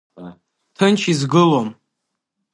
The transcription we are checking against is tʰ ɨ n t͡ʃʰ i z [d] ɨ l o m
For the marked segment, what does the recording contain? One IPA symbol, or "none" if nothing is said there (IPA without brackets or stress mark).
ɡ